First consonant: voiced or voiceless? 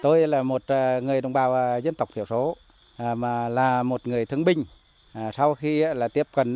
voiceless